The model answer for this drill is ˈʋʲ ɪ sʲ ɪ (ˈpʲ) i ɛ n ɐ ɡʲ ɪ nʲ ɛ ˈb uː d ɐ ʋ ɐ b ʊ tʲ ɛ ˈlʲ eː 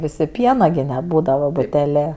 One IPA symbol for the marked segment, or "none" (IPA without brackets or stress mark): pʲ